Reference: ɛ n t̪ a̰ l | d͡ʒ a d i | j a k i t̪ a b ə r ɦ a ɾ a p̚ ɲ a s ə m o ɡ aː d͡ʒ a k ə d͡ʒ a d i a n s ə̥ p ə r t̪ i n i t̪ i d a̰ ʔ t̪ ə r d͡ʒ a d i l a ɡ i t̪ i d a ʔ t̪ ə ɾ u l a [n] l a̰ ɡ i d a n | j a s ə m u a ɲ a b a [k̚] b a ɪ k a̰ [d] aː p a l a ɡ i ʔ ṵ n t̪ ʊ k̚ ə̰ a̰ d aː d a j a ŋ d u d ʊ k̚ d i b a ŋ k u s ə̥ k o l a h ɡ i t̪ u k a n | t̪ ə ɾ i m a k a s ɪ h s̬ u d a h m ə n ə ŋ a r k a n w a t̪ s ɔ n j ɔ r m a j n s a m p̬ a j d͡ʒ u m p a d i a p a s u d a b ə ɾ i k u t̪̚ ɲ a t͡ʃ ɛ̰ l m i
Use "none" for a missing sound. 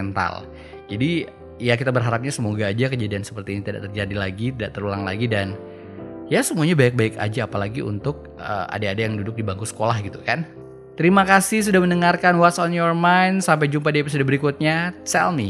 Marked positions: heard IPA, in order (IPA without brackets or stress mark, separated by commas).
ŋ, k̚, d͡ʒ